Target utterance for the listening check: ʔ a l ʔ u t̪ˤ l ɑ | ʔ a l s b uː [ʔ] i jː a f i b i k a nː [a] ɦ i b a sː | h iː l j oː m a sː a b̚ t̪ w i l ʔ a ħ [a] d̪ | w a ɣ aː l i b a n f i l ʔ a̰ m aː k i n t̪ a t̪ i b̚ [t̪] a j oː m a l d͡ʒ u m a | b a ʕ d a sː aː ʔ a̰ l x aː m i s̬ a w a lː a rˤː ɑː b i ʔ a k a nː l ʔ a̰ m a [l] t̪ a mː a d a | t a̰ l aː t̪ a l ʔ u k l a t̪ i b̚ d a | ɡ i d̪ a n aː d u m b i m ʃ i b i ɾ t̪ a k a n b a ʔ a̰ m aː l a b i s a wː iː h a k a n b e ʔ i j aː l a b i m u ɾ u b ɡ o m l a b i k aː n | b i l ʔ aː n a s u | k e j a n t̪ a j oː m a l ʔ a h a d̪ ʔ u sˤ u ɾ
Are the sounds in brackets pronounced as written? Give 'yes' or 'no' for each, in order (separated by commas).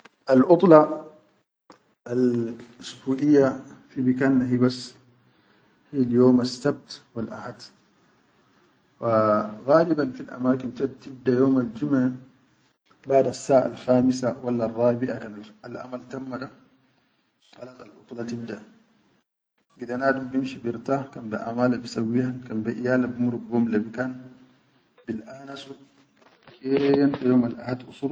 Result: yes, yes, yes, no, yes